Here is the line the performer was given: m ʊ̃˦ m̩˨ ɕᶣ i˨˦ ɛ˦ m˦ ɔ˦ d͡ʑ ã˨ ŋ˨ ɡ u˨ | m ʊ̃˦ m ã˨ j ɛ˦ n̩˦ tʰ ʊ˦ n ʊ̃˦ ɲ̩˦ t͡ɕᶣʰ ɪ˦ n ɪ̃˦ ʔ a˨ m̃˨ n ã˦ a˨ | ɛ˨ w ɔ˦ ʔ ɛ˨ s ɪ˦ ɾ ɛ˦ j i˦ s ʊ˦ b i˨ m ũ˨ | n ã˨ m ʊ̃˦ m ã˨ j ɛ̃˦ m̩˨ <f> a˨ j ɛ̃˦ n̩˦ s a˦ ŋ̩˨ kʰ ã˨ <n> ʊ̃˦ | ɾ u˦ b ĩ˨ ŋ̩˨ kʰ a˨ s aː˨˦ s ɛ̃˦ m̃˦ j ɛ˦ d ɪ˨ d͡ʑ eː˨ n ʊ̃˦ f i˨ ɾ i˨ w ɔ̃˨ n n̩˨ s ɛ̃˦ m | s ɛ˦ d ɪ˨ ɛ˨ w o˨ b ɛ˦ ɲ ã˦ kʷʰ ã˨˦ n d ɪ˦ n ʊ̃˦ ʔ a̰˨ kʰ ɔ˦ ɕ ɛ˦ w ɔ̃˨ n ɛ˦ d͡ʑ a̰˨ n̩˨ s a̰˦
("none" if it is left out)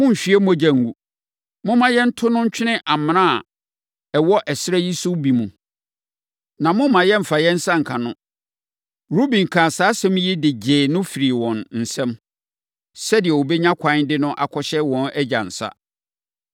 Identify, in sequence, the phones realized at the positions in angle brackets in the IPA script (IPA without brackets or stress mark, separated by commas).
f, n